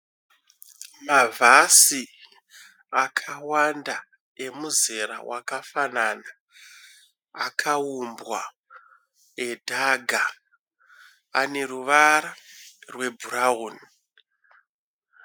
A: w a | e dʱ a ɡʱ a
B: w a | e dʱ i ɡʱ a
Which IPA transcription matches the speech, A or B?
A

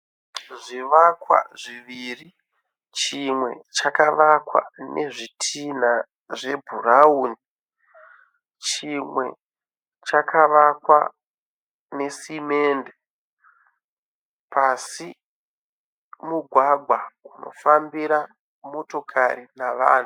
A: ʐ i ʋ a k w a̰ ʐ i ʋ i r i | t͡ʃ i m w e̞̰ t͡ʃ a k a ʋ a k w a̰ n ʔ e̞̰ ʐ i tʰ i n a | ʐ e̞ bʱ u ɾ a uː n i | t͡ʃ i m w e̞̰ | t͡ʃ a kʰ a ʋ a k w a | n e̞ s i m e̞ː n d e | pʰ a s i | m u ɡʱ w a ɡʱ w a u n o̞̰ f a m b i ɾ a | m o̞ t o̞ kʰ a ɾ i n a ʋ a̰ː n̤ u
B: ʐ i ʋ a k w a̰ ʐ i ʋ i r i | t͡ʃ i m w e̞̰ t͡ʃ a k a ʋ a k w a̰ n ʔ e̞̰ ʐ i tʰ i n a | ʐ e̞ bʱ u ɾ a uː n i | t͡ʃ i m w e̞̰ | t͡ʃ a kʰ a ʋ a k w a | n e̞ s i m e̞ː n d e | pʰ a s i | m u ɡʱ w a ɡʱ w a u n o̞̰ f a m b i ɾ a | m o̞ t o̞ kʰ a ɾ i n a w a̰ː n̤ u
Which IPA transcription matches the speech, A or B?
A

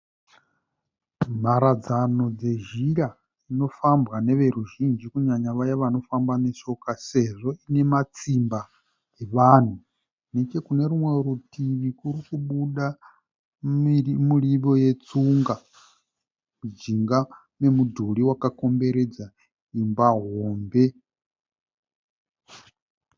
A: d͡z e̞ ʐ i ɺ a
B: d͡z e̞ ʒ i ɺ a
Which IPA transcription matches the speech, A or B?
B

